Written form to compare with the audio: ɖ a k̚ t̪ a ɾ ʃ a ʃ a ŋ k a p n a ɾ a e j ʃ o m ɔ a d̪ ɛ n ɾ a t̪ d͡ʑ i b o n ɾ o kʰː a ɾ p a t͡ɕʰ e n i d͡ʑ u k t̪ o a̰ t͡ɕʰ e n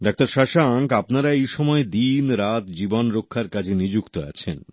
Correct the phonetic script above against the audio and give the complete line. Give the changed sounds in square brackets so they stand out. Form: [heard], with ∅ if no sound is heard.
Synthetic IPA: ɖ a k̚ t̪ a ɾ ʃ a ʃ a ŋ k a p n a ɾ a e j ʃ [ɔ] m ɔ [e] d̪ [i] n ɾ a t̪ d͡ʑ i b o n ɾ o kʰː a ɾ [k] a t͡ɕʰ e n i d͡ʑ u k t̪ o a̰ t͡ɕʰ e n

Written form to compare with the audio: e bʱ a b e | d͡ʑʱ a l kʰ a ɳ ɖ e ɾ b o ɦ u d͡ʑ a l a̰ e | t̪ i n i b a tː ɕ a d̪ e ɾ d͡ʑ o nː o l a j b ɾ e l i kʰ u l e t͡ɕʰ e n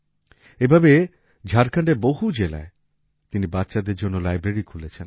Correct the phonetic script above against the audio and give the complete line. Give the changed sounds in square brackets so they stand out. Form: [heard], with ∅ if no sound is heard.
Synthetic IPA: e bʱ a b e | d͡ʑʱ a [ɾ] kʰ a ɳ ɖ e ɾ b o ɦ u d͡ʑ [e] l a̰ e | t̪ i n i b a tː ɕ a d̪ e ɾ d͡ʑ o nː o l a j b ɾ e [ɾ] i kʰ u l e t͡ɕʰ e n

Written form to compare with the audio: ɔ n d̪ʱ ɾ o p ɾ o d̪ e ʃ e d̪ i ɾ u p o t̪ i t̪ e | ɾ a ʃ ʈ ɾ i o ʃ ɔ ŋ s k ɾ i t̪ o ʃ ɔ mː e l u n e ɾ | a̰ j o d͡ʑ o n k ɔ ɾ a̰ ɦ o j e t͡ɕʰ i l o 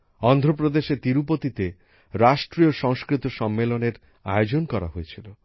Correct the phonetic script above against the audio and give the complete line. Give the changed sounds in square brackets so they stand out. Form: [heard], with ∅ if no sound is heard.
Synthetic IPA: ɔ n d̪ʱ ɾ o p ɾ o d̪ e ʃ e [t̪] i ɾ u p o t̪ i t̪ e | ɾ a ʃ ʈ ɾ i o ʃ ɔ ŋ s k ɾ i t̪ o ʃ ɔ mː e l [o] n e ɾ | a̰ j o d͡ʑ o n k ɔ ɾ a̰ ɦ o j e t͡ɕʰ i l o

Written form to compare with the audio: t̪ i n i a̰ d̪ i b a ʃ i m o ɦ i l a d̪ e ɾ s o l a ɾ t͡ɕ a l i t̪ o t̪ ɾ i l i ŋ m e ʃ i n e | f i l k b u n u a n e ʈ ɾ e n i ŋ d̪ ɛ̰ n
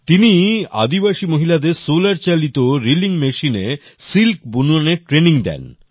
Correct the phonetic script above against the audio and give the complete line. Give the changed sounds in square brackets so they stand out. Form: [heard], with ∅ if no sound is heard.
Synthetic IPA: t̪ i n i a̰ d̪ i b a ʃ i m o ɦ i l a d̪ e ɾ s o l a ɾ t͡ɕ a l i t̪ o [∅] ɾ i l i ŋ m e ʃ i n e | [s] i l k b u n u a n e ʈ ɾ e n i ŋ d̪ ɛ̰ n

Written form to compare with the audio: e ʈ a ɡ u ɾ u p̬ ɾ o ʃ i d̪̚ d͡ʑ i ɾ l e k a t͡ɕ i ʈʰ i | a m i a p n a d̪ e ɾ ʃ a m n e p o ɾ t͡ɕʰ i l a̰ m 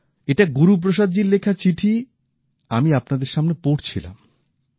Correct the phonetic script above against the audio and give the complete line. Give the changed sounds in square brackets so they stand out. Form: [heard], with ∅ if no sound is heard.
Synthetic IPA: e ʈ a ɡ u ɾ u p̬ ɾ o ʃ [a] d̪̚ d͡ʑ i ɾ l e [kʰ] a t͡ɕ i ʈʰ i | a m i a p n a d̪ e ɾ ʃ a m n e p o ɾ t͡ɕʰ i l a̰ m

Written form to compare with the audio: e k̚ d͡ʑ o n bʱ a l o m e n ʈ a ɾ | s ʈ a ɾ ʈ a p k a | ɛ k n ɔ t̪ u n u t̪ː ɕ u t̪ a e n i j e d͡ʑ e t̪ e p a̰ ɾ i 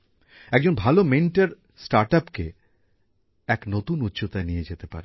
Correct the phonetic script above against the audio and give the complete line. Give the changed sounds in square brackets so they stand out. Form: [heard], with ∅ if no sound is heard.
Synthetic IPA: [ɛ] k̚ d͡ʑ o n bʱ a l o m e n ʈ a ɾ | s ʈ a ɾ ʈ a p k [e] | ɛ k n [o] t̪ u n u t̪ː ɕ [o] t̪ a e n i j e d͡ʑ e t̪ e p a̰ ɾ [e]

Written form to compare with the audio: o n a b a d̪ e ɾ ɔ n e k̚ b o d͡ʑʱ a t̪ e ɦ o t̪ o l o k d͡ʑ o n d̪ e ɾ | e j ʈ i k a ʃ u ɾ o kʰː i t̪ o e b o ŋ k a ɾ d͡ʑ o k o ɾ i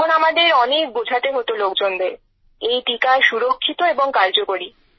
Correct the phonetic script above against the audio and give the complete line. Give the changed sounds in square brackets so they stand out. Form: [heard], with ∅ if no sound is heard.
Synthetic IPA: o n a [m] a d̪ e ɾ ɔ n e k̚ b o d͡ʑʱ a t̪ e ɦ o t̪ o l o k d͡ʑ o n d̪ e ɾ | e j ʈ i k a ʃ u ɾ o kʰː i t̪ o e b o ŋ k a ɾ d͡ʑ o k o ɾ i

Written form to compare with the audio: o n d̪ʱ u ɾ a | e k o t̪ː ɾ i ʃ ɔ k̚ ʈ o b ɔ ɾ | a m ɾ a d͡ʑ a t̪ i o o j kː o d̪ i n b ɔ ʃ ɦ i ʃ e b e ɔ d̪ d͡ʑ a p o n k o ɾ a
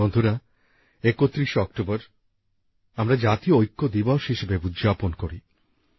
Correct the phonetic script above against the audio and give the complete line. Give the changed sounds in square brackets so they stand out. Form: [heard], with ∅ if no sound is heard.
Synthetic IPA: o n d̪ʱ u ɾ a | e k o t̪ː ɾ i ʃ ɔ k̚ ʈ o b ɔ ɾ | a m ɾ a d͡ʑ a t̪ i o o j kː o d̪ i [∅] b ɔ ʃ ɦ i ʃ e b e [u] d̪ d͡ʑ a p o n k o ɾ [i]

